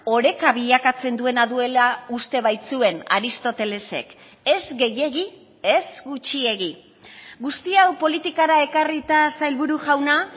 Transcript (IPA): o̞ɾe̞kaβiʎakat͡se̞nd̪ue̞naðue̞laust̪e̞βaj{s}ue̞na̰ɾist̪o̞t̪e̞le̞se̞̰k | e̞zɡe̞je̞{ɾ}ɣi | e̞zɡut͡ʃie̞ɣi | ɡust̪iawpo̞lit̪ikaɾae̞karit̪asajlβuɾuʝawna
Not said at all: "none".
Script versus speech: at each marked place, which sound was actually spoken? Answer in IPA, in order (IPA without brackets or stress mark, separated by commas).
t͡s, none